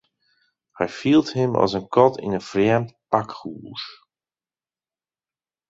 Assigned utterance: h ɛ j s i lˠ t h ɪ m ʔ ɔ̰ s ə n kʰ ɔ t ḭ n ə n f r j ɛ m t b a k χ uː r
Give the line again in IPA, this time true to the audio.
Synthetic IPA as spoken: h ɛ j f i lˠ t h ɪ m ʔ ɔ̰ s ə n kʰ ɔ t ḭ n ə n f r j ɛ m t p a k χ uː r